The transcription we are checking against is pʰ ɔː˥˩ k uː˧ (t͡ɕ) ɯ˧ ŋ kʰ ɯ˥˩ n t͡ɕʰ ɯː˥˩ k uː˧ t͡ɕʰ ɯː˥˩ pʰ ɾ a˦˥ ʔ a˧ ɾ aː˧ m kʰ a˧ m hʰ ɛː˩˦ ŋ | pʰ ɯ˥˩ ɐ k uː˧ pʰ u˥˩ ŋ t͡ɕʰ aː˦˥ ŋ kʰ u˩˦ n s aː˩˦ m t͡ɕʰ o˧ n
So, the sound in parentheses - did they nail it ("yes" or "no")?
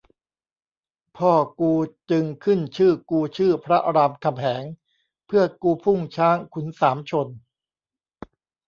yes